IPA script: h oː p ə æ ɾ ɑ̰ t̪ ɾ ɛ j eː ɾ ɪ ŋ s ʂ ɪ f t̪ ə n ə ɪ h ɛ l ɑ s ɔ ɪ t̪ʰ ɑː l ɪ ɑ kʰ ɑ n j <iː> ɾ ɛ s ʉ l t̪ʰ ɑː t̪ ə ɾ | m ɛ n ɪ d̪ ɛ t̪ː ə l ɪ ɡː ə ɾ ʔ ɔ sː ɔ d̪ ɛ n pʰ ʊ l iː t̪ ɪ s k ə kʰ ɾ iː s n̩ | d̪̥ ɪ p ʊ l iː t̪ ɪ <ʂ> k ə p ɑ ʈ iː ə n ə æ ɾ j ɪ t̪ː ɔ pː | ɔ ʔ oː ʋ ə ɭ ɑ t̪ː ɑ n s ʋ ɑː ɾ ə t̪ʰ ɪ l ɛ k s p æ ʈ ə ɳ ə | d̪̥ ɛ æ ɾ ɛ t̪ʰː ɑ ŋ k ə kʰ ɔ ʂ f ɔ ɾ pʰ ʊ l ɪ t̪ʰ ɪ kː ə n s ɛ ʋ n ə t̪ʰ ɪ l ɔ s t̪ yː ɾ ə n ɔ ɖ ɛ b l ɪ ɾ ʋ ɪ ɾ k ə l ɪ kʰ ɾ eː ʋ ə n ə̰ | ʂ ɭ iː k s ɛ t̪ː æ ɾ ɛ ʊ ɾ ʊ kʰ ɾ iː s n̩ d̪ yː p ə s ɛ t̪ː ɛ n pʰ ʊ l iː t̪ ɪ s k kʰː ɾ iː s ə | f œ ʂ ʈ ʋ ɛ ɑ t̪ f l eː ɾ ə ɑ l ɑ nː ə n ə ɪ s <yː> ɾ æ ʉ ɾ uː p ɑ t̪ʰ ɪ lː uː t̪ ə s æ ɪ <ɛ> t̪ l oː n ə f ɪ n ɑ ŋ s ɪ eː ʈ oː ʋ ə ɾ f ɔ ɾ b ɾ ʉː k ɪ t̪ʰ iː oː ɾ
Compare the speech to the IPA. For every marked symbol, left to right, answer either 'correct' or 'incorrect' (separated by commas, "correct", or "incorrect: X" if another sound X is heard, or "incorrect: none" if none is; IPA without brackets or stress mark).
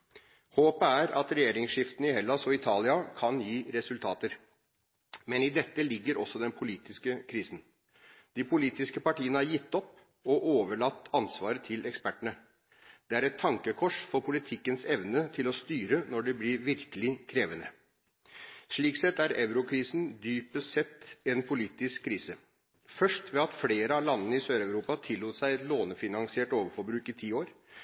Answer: correct, incorrect: s, incorrect: øː, correct